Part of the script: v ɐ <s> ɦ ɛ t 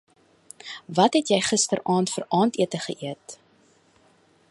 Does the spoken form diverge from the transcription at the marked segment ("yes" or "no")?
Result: yes